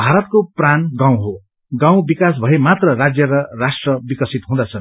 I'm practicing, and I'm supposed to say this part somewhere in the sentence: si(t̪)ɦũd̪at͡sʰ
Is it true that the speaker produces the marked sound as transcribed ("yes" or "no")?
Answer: yes